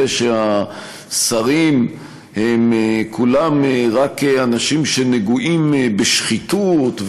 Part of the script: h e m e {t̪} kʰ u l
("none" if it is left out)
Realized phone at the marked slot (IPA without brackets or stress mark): none